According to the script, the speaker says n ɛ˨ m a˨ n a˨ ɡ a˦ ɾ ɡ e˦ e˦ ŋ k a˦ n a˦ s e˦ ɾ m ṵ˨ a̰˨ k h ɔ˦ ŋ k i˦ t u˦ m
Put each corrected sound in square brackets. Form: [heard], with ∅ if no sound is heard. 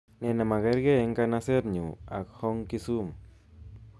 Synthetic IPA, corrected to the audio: n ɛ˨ [n] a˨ [m] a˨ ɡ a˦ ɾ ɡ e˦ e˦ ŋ k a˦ n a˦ s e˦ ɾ [ɲ] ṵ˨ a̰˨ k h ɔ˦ ŋ k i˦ [s] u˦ m